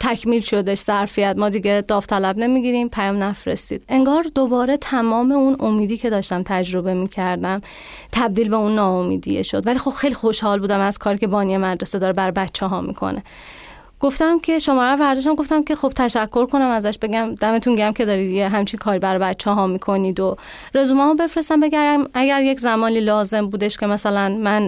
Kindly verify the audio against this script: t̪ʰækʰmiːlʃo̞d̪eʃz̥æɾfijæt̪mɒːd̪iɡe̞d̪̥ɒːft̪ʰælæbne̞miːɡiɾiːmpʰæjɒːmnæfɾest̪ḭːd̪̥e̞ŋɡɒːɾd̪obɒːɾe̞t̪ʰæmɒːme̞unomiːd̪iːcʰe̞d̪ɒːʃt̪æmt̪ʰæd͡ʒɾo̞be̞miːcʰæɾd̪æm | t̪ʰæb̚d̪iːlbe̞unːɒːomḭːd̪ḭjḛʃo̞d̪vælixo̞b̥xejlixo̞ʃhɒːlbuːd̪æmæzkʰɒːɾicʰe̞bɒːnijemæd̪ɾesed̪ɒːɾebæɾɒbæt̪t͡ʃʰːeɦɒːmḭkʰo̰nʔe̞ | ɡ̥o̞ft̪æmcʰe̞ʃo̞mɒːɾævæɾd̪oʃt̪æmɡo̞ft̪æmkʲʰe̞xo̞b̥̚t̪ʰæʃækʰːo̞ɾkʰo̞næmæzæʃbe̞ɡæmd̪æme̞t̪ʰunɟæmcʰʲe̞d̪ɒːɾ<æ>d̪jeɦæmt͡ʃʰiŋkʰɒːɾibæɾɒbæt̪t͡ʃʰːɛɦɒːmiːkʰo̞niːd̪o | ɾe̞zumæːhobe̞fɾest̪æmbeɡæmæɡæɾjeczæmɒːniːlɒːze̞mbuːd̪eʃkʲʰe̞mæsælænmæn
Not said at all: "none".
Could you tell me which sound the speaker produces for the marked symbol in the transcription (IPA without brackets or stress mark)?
i